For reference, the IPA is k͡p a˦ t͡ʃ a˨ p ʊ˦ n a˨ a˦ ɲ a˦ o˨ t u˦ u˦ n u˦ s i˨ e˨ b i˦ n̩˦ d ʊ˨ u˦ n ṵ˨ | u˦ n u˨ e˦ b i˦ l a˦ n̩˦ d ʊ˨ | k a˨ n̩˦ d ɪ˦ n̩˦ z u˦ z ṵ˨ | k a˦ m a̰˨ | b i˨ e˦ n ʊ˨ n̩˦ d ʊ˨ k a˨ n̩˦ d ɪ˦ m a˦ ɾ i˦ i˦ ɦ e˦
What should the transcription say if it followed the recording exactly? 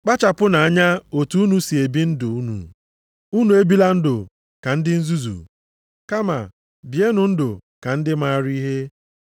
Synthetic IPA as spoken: k͡p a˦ t͡ʃ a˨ p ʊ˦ n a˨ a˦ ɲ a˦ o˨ t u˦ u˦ n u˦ s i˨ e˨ b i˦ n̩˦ d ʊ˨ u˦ n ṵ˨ | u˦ n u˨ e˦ b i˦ l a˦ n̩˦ d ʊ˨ | k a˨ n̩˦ d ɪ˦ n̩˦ z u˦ z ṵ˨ | k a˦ m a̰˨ | b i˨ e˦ n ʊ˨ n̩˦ d ʊ˨ k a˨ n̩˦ d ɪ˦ m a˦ ɾ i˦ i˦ ɦ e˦